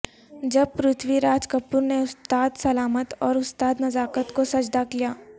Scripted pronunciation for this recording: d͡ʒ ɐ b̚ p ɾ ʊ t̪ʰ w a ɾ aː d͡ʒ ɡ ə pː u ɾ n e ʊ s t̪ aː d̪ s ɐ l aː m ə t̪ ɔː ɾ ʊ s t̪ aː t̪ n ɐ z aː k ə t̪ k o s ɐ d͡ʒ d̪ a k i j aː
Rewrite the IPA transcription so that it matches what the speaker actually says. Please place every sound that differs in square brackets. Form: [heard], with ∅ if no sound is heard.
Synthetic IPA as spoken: d͡ʒ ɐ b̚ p ɾ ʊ t̪ʰ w [i] ɾ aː d͡ʒ [k] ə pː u ɾ n e ʊ s t̪ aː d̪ s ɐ l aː m ə t̪ ɔː ɾ ʊ s t̪ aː [d̪] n ɐ z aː k ə t̪ k o s ɐ d͡ʒ d̪ a k i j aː